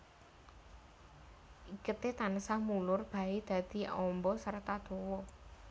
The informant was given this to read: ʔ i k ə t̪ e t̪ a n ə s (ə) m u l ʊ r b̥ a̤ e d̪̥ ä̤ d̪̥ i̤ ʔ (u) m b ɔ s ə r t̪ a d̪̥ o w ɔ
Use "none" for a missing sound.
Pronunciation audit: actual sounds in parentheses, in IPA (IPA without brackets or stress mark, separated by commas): a, ɔ